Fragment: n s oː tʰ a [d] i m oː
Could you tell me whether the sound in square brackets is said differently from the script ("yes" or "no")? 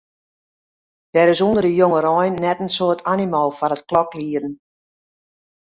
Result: yes